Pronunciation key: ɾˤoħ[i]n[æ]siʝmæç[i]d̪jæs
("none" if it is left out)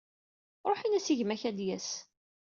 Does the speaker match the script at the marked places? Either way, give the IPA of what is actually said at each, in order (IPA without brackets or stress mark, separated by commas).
i, æ, æ